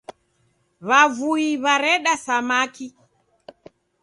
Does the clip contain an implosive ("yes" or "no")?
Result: yes